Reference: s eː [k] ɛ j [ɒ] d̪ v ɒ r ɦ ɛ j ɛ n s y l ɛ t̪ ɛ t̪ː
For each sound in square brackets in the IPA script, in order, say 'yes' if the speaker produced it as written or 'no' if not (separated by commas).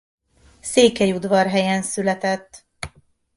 yes, no